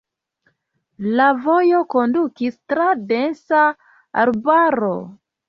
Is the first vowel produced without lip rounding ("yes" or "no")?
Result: yes